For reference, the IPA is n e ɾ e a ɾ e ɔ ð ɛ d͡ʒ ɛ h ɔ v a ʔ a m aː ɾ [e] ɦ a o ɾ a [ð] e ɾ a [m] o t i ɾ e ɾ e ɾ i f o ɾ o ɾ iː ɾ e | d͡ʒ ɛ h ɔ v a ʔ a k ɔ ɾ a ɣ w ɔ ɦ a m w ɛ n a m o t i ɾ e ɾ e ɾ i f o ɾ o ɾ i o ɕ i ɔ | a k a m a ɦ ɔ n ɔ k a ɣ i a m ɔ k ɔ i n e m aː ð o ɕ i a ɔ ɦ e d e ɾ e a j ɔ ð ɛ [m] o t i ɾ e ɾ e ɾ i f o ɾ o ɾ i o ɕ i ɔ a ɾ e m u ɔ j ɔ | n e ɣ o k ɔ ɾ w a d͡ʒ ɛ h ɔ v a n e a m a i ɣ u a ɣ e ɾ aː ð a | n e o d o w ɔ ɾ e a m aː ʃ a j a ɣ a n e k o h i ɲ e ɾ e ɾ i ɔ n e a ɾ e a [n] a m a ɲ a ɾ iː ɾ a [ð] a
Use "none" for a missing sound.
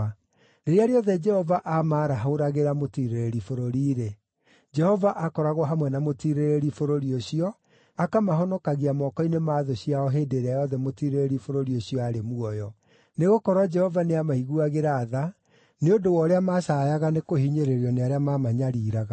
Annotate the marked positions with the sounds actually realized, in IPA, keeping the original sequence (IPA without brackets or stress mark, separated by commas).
a, ɣ, m, m, m, ɣ